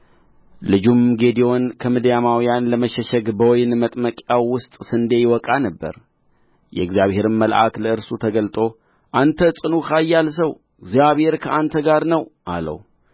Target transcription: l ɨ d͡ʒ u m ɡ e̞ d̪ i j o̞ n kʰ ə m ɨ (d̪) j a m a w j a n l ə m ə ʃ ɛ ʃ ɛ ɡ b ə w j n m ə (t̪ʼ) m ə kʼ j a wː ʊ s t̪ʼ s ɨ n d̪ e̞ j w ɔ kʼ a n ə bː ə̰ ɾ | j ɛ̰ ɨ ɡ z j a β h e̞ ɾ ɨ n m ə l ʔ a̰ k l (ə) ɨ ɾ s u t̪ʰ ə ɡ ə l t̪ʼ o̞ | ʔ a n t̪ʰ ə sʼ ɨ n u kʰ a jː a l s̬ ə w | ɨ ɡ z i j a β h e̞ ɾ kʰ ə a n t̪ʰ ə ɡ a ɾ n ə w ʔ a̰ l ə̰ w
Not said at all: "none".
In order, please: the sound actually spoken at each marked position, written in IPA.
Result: d̪, t̪ʼ, ə

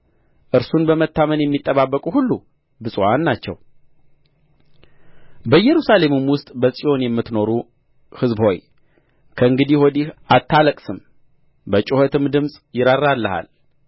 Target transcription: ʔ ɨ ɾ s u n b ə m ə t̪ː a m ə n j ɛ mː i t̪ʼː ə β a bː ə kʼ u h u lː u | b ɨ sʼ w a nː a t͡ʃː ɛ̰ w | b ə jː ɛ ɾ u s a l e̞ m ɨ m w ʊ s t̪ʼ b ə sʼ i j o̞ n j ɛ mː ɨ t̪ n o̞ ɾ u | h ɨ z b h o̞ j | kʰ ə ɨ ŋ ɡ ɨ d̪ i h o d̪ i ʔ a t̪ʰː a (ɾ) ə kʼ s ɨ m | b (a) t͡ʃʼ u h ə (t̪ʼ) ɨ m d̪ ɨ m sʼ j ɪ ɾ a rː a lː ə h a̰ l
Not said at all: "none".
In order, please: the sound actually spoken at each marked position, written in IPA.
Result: l, ə, t̪

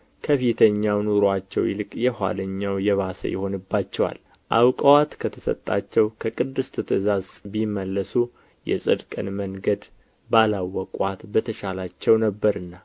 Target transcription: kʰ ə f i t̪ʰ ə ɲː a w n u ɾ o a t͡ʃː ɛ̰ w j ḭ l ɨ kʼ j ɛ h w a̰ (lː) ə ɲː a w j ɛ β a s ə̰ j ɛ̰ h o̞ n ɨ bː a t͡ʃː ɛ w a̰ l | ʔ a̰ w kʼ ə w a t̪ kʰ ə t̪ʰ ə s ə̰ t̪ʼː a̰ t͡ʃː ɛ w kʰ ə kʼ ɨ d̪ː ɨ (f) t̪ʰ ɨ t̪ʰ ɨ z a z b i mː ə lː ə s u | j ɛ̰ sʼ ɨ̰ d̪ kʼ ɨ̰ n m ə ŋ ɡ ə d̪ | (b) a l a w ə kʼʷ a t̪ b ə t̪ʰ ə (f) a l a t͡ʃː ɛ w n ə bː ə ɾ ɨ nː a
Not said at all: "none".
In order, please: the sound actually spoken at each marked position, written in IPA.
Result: l, s, b, ʃ

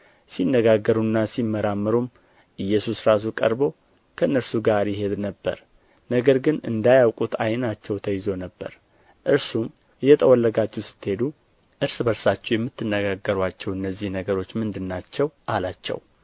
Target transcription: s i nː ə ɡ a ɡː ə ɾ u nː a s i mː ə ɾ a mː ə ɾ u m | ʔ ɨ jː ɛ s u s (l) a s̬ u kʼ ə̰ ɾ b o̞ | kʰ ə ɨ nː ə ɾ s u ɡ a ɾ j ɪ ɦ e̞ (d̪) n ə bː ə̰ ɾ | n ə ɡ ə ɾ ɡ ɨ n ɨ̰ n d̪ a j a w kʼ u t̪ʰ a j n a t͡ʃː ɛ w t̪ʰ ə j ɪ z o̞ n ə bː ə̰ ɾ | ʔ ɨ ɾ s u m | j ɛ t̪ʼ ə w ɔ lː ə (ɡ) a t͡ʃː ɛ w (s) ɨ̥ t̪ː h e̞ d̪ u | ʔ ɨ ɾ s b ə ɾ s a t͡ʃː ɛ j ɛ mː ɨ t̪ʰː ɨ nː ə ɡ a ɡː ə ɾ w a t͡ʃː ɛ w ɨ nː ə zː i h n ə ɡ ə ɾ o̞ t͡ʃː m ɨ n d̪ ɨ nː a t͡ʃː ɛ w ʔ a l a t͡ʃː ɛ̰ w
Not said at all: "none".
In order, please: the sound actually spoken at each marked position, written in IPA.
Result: ɾ, d̪, ɡ, s

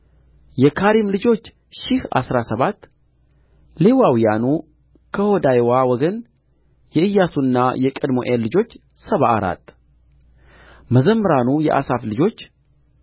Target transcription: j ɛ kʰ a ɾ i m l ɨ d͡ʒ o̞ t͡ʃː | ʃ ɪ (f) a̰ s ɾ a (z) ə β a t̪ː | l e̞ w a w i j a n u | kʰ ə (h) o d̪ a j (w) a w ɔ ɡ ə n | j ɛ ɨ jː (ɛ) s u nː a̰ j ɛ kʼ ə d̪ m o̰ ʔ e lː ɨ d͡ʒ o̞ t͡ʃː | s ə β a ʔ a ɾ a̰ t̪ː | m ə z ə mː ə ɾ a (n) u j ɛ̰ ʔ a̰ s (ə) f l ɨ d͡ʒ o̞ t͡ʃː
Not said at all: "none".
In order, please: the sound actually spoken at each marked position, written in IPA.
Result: h, s, h, w, a, n, a

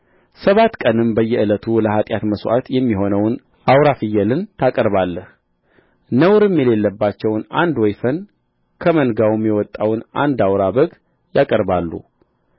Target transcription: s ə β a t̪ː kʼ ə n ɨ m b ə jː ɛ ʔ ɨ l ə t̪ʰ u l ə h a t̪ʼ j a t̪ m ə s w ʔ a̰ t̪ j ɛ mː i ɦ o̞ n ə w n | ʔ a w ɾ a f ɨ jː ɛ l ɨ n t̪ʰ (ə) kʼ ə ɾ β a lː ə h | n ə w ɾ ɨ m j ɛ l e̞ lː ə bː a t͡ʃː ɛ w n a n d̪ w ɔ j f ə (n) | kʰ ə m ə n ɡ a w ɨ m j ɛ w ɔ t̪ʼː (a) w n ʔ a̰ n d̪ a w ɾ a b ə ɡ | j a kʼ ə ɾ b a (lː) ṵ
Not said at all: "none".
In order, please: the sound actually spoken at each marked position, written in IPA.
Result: a, n, a, lː

